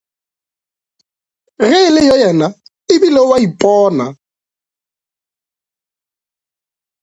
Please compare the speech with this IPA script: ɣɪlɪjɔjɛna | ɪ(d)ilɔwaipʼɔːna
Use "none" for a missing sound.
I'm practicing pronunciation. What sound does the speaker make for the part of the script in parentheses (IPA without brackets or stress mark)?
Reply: b